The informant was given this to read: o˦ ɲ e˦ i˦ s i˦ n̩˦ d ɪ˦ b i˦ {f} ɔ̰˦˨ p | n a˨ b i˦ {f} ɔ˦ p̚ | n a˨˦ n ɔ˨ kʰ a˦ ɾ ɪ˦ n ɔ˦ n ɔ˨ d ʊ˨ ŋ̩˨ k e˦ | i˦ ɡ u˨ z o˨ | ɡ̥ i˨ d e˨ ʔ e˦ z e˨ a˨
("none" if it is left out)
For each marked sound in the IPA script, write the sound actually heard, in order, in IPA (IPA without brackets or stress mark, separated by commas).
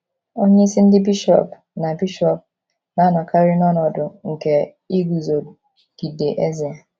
ʃ, ʃ